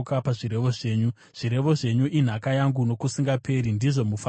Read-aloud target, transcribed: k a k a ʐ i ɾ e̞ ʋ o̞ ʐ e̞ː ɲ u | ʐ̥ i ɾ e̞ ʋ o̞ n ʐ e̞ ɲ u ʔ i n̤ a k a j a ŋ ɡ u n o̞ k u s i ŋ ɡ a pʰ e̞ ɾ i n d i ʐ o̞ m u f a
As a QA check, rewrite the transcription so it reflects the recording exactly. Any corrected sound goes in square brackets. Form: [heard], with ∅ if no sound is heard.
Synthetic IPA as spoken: k a [p] a ʐ i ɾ e̞ ʋ o̞ ʐ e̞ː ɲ u | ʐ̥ i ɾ e̞ ʋ o̞ [∅] ʐ e̞ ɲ u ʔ i n̤ a k a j a ŋ ɡ u n o̞ k u s i ŋ ɡ a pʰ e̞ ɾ i n d i ʐ o̞ m u f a